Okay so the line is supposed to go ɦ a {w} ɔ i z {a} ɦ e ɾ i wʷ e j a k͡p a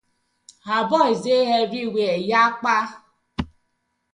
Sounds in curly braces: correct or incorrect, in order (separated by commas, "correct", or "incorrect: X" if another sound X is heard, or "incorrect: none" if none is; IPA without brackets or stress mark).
incorrect: b, incorrect: e